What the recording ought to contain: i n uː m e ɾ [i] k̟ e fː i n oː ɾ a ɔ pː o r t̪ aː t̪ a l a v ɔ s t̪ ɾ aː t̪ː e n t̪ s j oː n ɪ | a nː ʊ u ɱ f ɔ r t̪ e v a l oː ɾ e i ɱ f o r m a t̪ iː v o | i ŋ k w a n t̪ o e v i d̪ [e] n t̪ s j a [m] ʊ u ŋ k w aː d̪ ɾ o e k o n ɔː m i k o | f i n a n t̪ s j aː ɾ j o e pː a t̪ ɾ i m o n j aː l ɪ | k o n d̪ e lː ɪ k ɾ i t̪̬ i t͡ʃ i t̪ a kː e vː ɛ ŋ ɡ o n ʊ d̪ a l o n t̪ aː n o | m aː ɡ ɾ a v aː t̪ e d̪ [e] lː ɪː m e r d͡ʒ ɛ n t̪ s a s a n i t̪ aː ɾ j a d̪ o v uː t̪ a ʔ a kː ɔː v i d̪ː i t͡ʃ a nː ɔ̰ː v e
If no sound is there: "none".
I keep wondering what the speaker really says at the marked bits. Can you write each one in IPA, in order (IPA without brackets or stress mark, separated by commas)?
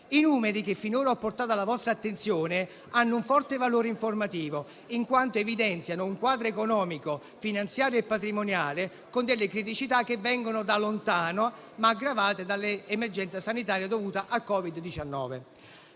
i, ɛ, n, a